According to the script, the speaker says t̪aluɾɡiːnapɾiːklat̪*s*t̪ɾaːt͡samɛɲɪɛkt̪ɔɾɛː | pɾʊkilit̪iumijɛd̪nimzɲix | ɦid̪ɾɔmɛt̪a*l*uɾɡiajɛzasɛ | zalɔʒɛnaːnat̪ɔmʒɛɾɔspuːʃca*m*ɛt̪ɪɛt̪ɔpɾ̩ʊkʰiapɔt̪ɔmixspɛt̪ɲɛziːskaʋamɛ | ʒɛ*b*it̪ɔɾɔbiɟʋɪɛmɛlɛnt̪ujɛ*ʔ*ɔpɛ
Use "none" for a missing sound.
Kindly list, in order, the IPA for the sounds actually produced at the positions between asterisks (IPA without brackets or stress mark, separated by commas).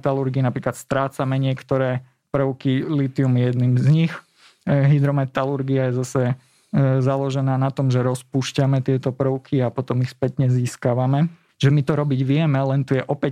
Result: s, l, m, m, ʔ